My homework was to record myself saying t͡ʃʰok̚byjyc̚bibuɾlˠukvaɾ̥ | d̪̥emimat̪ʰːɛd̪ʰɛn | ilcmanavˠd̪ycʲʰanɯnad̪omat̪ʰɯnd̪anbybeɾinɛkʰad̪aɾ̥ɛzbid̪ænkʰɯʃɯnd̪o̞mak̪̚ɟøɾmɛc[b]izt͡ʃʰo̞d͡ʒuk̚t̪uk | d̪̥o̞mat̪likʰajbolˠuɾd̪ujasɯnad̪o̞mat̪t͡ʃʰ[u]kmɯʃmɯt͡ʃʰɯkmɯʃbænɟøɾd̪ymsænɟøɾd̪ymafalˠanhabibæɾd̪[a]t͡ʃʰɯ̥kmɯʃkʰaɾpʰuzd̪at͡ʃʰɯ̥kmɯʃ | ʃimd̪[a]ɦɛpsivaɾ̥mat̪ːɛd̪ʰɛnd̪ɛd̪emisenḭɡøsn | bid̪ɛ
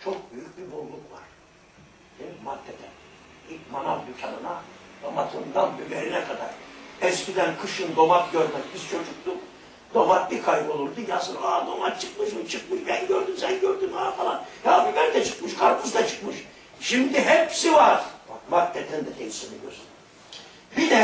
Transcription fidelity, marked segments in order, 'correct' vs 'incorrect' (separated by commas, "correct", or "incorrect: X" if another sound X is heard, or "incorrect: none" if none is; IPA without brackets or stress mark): correct, incorrect: ɯ, incorrect: ɛ, incorrect: i